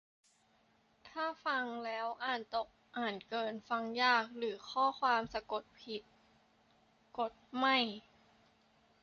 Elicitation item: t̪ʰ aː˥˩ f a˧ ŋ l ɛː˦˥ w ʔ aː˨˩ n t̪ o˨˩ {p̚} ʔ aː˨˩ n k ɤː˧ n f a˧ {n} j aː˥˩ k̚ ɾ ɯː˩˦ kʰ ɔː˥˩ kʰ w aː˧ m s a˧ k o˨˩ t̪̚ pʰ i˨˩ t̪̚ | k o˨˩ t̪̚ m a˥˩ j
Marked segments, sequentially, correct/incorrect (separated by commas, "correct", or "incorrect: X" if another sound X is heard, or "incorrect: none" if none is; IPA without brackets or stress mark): incorrect: k̚, incorrect: ŋ